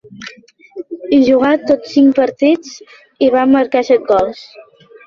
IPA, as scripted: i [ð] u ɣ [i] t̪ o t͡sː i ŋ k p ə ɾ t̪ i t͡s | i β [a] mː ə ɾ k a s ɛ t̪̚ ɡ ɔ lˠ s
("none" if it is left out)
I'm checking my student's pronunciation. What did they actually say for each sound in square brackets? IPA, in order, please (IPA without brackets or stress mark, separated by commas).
ʒ, a, a